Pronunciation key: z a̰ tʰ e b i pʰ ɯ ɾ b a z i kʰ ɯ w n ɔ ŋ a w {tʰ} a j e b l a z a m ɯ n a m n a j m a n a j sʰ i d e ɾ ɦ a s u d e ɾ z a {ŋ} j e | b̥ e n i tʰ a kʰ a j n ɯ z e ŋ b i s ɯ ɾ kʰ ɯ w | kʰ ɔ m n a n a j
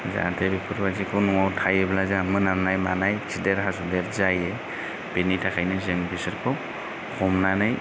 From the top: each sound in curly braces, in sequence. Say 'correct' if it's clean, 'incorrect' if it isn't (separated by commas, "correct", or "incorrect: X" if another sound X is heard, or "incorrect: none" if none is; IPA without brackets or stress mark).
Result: correct, incorrect: none